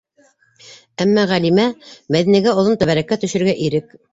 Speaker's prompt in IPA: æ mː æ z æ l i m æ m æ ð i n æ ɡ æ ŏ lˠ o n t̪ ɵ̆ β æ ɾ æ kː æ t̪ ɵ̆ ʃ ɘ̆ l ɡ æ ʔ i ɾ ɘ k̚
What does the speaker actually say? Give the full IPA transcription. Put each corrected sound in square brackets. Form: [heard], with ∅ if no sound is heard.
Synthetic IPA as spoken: æ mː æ [ʁ] æ l i m æ m æ ð i n æ ɡ æ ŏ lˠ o n t̪ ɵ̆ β æ ɾ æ kː æ t̪ ɵ̆ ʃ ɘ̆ [ɾ] ɡ æ ʔ i ɾ ɘ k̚